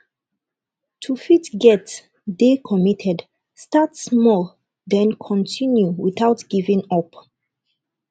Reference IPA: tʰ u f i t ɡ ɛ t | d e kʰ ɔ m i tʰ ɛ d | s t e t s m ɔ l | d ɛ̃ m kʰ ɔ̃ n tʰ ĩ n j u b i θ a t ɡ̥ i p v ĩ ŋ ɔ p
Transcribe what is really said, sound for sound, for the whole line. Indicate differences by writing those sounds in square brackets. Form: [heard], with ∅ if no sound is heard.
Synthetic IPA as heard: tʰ u f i t ɡ ɛ t | d e kʰ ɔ m i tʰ ɛ d | s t [a] t s m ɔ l | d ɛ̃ [n] kʰ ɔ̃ n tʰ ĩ n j u [w] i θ a t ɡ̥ i [∅] v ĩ ŋ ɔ p